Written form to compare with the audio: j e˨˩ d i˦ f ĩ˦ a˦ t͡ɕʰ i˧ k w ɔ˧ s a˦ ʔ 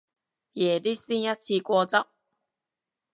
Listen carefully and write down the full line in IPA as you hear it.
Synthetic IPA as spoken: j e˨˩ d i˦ s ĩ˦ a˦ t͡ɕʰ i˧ k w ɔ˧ t͡s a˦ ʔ

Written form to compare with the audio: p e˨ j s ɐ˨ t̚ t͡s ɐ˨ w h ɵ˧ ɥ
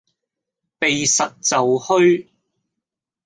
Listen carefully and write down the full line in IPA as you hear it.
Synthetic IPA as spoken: p e˨ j s ɐ˨ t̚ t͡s ɐ˨ w h ɵ˥ ɥ

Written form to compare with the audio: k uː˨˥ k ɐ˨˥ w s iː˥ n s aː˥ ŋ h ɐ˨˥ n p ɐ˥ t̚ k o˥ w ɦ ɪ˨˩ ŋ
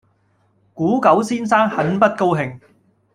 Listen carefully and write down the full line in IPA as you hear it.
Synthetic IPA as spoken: k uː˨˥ k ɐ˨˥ w s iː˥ n s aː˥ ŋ h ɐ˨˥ n p ɐ˥ t̚ k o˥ w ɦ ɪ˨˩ ŋ

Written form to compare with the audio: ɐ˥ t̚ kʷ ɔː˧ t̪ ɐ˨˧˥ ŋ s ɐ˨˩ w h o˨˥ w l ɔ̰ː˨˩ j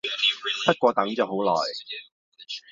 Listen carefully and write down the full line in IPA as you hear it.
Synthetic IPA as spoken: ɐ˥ t̚ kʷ ɔː˧ t̪ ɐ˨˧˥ ŋ t͡s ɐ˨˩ w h o˨˥ w l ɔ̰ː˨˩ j

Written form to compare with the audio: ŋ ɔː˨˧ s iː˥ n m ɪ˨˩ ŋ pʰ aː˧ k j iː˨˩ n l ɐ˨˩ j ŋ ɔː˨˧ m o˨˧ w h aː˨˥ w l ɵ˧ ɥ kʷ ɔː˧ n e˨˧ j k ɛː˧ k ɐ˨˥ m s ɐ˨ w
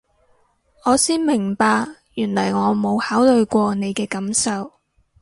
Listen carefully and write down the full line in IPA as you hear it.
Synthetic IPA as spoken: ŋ ɔː˨˧ s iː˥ n m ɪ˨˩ ŋ p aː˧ k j yː˨˩ n l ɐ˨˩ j ŋ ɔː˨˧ m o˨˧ w h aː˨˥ w l ɵ˧ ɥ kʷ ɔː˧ n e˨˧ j k ɛː˧ k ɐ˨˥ m s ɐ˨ w

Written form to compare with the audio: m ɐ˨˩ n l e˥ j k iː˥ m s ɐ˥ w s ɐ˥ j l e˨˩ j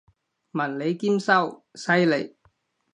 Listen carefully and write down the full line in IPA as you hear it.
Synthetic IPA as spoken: m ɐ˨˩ n l e˨˧ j k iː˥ m s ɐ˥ w s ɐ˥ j l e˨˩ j

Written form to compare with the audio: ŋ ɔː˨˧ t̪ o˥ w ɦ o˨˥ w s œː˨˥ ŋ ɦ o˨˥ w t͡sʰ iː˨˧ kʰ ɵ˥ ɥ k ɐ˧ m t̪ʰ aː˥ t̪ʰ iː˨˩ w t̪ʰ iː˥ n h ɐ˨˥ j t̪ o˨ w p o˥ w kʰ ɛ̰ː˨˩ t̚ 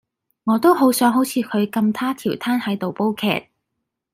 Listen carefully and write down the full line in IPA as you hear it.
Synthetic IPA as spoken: ŋ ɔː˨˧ t̪ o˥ w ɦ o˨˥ w s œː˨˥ ŋ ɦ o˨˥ w t͡sʰ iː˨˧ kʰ ɵ˨˧ ɥ k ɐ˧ m t̪ʰ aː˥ t̪ʰ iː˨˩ w t̪ʰ aː˥ n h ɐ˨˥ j t̪ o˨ w p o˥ w kʰ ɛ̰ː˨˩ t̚

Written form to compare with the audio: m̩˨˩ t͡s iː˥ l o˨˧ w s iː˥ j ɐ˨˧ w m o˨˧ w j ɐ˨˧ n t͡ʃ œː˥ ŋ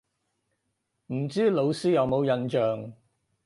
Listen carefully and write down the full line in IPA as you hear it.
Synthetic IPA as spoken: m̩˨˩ t͡s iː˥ l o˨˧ w s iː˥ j ɐ˨˧ w m o˨˧ w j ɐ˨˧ n t͡ʃ œː˨ ŋ

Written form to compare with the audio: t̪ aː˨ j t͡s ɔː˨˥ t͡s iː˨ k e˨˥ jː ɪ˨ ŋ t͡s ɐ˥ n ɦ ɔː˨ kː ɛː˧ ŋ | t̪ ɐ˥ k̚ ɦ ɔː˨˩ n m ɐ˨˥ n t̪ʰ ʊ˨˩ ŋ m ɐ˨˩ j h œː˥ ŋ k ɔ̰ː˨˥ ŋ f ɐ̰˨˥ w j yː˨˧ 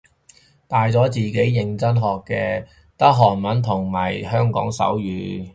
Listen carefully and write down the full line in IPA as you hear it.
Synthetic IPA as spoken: t̪ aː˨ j t͡s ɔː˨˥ t͡s iː˨ k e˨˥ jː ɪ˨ ŋ t͡s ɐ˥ n ɦ ɔː˨ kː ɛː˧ | t̪ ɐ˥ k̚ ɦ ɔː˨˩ n m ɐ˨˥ n t̪ʰ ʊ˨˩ ŋ m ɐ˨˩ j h œː˥ ŋ k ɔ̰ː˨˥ ŋ s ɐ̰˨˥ w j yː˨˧

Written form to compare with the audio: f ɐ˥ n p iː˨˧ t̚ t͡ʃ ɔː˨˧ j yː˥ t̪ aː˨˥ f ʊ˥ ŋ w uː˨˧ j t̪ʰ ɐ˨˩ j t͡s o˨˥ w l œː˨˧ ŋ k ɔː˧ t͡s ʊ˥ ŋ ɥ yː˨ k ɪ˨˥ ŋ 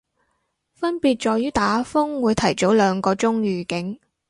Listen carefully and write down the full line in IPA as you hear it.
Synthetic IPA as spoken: f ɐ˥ n p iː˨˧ t̚ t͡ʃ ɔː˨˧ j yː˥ t̪ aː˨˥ f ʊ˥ ŋ w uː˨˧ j t̪ʰ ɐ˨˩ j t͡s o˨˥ w l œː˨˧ ŋ k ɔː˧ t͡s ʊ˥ ŋ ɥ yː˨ k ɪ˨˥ ŋ

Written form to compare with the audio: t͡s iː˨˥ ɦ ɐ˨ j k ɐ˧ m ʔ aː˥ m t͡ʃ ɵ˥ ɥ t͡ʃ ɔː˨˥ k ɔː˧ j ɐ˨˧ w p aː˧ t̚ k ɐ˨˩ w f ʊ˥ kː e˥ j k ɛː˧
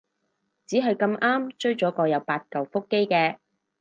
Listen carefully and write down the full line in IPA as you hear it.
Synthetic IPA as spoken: t͡s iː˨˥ ɦ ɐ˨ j k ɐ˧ m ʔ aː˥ m t͡ʃ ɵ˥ ɥ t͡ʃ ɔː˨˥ k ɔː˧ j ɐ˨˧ w p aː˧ t̚ k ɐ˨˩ w f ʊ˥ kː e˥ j k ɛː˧

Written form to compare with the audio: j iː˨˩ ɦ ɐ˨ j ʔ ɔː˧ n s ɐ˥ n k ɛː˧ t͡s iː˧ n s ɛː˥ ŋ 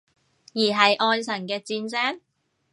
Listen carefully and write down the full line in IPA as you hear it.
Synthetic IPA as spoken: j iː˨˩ ɦ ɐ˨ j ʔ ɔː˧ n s ɐ˨˩ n k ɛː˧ t͡s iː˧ n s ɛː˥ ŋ

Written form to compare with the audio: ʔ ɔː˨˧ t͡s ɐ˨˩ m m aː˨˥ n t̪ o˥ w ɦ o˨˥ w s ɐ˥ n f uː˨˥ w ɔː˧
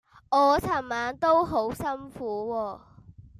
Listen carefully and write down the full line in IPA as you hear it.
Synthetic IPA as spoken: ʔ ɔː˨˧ t͡sʰ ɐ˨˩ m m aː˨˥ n t̪ o˥ w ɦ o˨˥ w s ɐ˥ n f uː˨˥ w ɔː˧

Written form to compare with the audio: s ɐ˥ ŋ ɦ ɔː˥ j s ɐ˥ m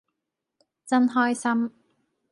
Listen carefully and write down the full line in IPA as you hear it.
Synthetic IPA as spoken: t͡s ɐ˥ n ɦ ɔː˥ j s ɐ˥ m

